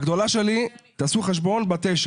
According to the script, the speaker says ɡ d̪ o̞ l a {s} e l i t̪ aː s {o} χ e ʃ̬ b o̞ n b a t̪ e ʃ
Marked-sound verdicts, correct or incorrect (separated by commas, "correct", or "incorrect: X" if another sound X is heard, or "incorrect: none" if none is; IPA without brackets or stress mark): incorrect: ʃ, incorrect: u